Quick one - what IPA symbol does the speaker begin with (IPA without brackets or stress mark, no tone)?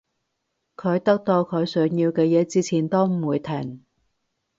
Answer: kʰ